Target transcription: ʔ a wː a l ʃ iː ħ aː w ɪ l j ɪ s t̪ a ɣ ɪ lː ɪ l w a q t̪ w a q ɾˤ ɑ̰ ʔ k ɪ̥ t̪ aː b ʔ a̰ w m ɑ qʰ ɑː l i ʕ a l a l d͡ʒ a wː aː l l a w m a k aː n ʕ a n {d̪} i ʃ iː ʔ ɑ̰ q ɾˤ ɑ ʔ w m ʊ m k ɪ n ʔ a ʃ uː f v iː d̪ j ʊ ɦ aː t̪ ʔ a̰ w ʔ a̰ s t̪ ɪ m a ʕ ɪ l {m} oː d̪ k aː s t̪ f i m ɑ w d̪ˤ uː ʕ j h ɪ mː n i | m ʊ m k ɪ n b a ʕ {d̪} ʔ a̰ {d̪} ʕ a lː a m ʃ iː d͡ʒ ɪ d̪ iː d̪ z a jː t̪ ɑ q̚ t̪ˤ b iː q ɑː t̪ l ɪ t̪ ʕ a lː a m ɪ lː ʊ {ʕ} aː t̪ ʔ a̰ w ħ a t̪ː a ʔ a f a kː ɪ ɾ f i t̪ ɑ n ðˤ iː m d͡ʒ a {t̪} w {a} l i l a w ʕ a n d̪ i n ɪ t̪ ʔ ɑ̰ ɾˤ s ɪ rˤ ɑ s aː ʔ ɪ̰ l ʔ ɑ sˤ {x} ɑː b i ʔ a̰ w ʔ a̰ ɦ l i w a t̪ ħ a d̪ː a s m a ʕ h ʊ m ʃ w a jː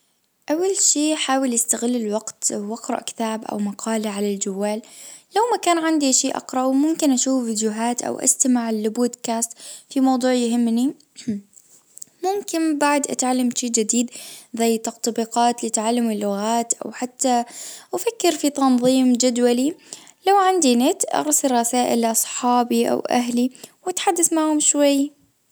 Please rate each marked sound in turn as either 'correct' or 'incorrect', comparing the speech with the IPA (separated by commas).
correct, incorrect, correct, incorrect, incorrect, incorrect, correct, incorrect